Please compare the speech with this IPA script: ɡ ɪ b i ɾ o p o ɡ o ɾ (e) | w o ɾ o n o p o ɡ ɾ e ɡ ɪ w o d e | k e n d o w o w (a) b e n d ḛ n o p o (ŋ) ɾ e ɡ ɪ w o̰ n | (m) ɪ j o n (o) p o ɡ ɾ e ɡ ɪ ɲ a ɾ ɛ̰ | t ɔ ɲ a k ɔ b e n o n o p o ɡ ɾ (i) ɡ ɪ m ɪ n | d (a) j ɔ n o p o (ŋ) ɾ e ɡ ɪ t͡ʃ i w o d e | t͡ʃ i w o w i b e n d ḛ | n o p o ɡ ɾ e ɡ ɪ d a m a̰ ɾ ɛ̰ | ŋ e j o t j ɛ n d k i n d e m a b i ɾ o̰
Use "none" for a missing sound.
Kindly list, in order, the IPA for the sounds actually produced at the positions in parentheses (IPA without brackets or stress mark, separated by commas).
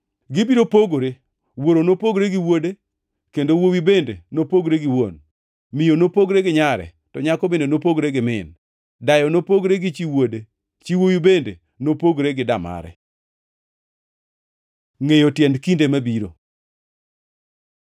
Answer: e, i, ɡ, m, o, e, a, ɡ